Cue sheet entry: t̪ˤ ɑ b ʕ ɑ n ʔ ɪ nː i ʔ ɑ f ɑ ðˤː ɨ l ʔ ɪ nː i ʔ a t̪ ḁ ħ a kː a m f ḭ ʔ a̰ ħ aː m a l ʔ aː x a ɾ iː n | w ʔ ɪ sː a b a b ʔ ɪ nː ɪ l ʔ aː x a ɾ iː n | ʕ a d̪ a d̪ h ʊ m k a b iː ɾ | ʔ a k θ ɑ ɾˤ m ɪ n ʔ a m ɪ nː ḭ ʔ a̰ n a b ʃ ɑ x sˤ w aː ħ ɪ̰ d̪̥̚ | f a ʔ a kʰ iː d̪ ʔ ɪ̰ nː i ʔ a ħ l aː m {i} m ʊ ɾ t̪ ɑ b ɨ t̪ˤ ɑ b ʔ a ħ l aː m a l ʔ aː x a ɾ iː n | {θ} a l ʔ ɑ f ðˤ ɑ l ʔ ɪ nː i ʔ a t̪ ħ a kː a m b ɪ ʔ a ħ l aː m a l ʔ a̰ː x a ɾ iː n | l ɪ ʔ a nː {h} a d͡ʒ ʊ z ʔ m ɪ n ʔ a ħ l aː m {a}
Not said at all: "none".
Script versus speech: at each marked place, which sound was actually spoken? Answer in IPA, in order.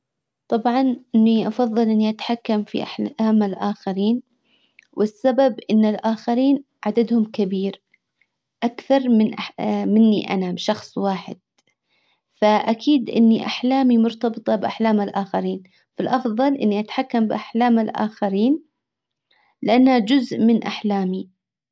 i, f, h, i

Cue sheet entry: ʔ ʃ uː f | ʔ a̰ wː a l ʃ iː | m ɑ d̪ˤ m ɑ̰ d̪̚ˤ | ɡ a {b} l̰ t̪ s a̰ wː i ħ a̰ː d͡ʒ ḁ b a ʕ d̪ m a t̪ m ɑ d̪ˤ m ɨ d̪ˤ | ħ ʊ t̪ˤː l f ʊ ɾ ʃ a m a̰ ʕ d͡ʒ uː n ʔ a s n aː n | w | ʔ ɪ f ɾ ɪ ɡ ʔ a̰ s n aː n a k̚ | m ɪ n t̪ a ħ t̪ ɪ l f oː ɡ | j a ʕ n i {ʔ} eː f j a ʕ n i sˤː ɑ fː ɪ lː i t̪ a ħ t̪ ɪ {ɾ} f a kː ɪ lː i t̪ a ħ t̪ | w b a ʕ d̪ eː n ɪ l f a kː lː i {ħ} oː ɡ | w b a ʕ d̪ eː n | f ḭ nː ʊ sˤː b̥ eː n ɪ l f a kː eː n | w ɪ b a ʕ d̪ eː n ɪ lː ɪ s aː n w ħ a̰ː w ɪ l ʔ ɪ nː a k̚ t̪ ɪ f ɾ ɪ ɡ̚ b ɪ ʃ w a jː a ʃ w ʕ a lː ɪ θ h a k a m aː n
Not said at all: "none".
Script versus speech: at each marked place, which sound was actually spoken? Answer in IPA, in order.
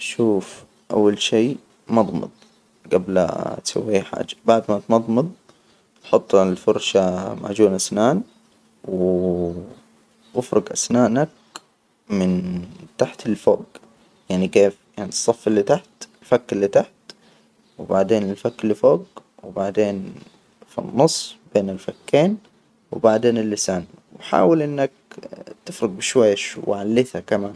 b, k, l, f

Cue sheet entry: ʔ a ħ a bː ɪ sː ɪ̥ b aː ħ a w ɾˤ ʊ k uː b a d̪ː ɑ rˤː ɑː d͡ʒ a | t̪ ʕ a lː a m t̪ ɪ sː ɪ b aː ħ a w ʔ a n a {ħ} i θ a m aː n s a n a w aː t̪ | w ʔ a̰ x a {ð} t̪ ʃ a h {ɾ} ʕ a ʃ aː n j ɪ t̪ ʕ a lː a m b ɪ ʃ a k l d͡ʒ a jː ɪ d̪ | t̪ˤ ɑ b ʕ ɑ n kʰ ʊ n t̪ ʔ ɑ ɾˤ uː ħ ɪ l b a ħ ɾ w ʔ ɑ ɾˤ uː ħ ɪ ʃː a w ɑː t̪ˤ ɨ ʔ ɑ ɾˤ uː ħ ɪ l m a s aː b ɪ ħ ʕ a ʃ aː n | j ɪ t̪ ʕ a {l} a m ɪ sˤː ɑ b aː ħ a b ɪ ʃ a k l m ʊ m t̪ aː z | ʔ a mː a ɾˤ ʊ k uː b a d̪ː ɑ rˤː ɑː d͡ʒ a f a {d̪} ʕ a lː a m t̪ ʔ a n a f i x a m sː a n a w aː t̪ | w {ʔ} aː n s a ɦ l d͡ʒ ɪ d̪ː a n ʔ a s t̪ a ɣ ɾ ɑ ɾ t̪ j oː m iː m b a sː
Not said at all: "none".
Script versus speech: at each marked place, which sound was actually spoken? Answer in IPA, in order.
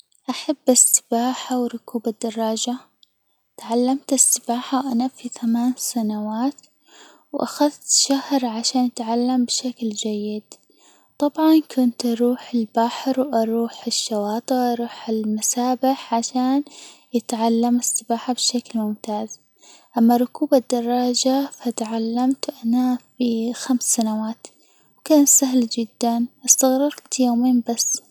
f, ð, ɾ, lː, t̪, k

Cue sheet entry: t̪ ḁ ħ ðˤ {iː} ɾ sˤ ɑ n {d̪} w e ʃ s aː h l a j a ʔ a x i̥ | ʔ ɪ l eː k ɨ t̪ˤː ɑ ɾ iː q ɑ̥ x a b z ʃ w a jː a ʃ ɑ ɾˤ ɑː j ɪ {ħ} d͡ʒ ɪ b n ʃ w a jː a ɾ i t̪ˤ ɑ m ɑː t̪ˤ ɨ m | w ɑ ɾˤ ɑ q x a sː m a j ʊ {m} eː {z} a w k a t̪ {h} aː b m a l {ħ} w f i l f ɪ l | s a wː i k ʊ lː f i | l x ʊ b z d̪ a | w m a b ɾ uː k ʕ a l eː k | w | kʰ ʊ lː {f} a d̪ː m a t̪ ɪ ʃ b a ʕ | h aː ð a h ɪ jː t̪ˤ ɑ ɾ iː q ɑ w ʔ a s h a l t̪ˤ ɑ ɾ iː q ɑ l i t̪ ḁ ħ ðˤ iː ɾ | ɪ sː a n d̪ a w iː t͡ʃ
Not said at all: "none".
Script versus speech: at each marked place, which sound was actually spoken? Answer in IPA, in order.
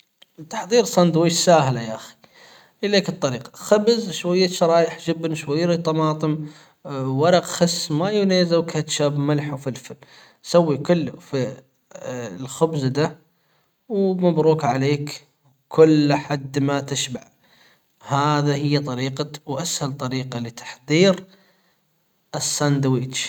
iː, d̪, ħ, n, z, ʃ, ħ, ħ

